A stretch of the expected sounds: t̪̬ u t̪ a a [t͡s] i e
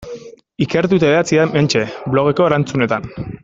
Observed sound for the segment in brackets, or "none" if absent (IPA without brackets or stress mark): t͡s